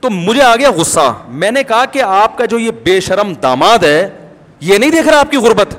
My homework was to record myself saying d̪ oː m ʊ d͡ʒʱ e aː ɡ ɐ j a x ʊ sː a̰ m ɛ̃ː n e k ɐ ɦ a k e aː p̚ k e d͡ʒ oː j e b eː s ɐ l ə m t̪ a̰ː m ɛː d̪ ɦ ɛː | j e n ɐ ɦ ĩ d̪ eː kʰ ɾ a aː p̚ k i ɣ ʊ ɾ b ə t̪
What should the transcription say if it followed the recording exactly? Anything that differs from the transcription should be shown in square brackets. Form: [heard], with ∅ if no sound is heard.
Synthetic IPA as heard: [t̪] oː m ʊ d͡ʒʱ e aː ɡ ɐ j a [ɣ] ʊ sː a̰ m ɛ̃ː n e k ɐ ɦ a k e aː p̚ k [a] d͡ʒ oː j e b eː [ʃ] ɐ [ɾ] ə m [d̪] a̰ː m [aː] d̪ ɦ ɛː | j e n ɐ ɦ ĩ d̪ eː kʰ ɾ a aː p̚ k i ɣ ʊ ɾ b ə t̪